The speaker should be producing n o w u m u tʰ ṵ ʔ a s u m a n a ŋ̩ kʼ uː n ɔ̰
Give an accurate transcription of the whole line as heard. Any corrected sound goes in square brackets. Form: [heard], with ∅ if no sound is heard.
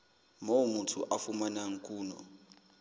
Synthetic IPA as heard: [m] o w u m u tʰ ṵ ʔ a [f] u m a n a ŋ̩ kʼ uː n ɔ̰

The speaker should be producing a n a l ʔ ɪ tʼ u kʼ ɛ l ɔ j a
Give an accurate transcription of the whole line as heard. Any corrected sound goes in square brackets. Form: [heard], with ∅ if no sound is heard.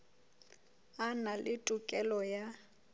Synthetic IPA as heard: a n a l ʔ ɪ tʼ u kʼ ɛ l ɔ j a

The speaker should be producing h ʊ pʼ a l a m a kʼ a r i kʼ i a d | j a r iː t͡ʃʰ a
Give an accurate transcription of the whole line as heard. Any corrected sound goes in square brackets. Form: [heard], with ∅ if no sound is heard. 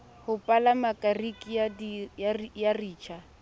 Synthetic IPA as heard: h ʊ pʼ a l a m a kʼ a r i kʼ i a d | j a r iː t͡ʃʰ a

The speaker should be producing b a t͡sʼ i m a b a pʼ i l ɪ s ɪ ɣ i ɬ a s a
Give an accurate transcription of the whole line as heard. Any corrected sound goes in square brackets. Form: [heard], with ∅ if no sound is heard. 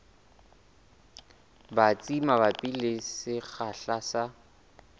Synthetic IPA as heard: b a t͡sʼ i m a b a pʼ i l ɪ s ɪ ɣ [a] ɬ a s a

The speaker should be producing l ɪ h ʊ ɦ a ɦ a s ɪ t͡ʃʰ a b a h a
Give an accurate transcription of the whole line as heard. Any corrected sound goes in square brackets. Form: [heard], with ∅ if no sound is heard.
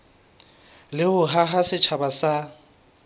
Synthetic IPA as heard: l ɪ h ʊ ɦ a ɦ a s ɪ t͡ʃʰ a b a [s] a

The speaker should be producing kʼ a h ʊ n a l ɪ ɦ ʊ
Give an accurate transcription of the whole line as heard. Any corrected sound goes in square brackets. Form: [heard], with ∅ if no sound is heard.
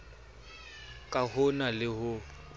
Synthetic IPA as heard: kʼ a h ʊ n a l ɪ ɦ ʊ

